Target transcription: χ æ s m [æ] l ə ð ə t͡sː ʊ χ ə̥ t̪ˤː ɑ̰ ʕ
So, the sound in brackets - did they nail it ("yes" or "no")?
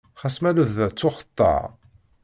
yes